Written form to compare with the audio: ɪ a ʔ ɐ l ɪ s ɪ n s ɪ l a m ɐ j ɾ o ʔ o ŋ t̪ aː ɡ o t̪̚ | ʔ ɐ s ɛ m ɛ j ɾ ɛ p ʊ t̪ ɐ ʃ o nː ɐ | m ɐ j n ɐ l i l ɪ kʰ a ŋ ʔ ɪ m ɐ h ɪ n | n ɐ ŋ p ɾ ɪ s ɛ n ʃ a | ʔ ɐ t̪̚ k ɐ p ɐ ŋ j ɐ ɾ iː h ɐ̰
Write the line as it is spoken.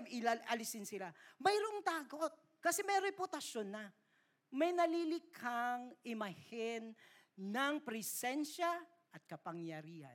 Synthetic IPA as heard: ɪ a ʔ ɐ l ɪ s ɪ n s ɪ l a m ɐ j ɾ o ʔ o ŋ t̪ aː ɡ o t̪̚ | k ɐ s ɛ m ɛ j ɾ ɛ p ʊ t̪ ɐ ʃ o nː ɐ | m ɐ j n ɐ l i l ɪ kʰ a ŋ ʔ ɪ m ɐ h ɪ n | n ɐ ŋ p ɾ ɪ s ɛ n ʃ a | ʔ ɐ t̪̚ k ɐ p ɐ ŋ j ɐ ɾ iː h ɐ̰